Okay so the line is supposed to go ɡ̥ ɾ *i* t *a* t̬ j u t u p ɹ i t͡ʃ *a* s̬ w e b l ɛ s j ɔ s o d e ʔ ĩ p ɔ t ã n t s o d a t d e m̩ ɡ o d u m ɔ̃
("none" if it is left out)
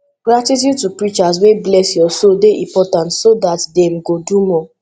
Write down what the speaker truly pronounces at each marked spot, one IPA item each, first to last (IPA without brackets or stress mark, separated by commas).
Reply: a, i, a